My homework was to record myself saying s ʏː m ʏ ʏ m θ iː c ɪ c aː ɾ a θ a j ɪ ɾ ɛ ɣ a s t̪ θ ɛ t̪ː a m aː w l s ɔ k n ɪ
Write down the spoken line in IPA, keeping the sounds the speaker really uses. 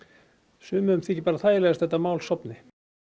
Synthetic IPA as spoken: s ʏː m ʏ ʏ m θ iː c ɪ p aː ɾ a θ a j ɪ l ɛ ɣ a s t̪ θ ɛ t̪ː a m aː w l s ɔ p n ɪ